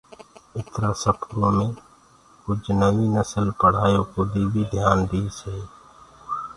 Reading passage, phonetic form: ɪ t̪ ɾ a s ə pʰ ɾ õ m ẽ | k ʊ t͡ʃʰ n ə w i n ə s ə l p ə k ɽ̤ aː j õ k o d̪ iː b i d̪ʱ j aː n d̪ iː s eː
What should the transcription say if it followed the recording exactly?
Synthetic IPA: ɪ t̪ ɾ a s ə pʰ ɾ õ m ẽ | k ʊ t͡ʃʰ n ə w i n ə s ə l p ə ɽ̤ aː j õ k o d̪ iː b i d̪ʱ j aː n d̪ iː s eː

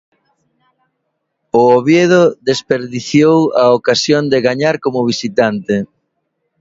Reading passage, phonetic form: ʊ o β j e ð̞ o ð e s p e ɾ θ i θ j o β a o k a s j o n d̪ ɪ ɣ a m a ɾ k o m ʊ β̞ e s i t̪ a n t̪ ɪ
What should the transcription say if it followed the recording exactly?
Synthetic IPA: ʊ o β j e ð̞ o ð e s p e ɾ ð i θ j o w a o k a s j o n d̪ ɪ ɣ a ɲ a ɾ k o m ʊ β̞ i s i t̪ a n t̪ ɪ

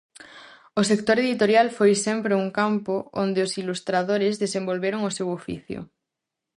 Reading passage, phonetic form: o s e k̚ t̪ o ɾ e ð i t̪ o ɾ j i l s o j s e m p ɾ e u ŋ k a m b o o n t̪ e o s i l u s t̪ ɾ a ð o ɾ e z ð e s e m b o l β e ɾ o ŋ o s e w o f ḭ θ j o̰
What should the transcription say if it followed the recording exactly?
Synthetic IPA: o s e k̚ t̪ o ɾ e ð i t̪ o ɾ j a l f o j s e m p ɾ e u ŋ k a m p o o n d̪ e o s i l u s t̪ ɾ a ð o ɾ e z ð e s e m b o l β e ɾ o ŋ o s e w o f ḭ θ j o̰

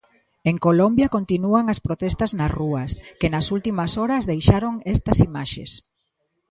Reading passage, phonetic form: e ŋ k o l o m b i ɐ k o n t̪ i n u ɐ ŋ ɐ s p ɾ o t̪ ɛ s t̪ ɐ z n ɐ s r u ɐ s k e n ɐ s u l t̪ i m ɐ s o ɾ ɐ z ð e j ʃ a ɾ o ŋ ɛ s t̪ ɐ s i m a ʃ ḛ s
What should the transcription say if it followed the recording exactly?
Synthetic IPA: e ŋ k o l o m b j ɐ k o n t̪ i n u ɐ ŋ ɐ s p ɾ o t̪ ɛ s t̪ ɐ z n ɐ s r u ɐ s k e n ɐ s u l t̪ i m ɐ s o ɾ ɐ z ð e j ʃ a ɾ o ŋ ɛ s t̪ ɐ s i m a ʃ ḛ s

